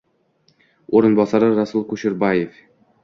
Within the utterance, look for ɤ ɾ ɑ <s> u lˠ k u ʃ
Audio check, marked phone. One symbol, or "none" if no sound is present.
s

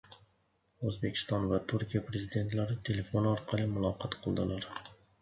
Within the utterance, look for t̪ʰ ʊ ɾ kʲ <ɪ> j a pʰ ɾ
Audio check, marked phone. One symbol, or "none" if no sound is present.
i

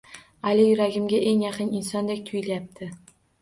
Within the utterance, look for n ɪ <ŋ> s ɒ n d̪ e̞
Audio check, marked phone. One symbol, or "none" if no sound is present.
n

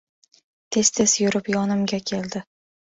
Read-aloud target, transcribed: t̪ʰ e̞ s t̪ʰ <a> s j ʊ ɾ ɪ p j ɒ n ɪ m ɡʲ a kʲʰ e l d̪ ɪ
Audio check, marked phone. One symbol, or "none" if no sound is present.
e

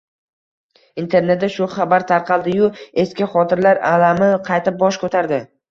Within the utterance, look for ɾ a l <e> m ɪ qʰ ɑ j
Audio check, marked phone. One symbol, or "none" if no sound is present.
a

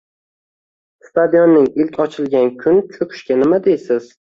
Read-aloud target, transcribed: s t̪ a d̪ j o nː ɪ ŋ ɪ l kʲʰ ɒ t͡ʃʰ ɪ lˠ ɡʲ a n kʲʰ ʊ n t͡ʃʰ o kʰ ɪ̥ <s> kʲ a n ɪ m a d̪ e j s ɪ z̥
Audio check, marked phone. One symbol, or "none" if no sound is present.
ʃ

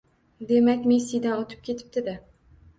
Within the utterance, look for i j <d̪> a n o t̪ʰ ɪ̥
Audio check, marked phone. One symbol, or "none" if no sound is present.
d̪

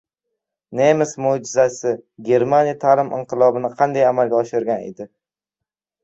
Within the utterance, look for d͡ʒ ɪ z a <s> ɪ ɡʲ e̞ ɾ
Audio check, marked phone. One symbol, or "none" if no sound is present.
s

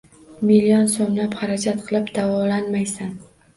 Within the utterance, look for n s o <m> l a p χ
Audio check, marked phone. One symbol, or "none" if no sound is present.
m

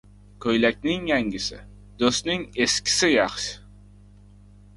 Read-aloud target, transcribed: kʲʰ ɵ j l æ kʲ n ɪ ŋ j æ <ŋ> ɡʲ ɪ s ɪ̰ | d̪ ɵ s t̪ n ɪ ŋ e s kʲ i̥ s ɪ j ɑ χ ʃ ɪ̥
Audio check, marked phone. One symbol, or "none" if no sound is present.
ŋ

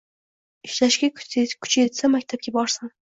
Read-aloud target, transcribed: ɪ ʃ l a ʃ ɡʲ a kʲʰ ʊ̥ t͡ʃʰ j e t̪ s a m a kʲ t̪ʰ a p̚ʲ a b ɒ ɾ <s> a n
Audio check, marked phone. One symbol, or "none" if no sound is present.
s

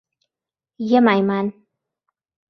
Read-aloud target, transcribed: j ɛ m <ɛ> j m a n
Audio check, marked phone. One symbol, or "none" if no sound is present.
a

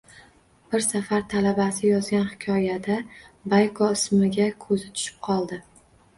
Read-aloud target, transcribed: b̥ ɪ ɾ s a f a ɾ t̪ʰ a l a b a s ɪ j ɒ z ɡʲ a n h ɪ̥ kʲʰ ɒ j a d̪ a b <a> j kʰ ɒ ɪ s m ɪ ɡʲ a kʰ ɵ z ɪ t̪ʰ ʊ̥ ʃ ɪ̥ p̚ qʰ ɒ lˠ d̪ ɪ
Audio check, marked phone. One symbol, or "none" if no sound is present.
a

